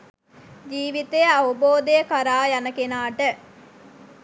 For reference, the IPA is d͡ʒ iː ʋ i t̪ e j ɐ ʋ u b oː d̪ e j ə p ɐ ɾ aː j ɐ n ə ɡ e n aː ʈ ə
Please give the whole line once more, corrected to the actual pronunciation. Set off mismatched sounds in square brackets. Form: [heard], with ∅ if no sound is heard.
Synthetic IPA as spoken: d͡ʒ iː ʋ i t̪ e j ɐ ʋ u b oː d̪ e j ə [k] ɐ ɾ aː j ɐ n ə [k] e n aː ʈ ə